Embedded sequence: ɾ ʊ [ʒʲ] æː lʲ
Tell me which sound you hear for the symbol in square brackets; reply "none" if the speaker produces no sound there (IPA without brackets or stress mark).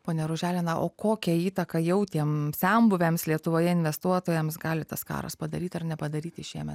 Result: ʒʲ